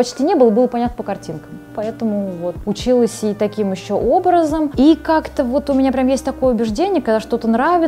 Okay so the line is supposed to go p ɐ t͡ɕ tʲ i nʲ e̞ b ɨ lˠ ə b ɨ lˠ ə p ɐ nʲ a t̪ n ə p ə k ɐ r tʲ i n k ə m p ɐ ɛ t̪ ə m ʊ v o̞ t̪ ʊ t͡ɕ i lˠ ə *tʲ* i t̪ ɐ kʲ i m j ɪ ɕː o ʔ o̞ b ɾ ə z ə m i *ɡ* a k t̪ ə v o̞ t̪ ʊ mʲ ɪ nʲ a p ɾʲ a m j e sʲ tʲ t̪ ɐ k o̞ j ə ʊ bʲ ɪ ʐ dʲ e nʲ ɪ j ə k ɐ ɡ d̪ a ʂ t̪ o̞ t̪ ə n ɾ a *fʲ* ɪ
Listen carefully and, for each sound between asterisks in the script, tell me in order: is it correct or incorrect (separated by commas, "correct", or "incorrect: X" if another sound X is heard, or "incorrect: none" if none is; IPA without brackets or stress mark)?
incorrect: sʲ, incorrect: k, incorrect: vʲ